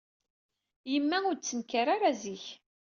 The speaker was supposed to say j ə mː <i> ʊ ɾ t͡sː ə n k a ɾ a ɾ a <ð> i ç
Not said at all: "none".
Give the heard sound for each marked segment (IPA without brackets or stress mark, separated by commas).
æ, z